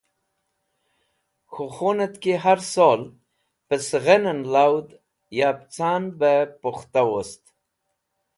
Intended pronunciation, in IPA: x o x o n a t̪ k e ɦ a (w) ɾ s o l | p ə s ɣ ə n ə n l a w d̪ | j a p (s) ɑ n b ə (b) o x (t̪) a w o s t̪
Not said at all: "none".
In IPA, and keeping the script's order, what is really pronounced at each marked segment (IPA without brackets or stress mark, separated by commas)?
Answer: none, t͡s, p, t̪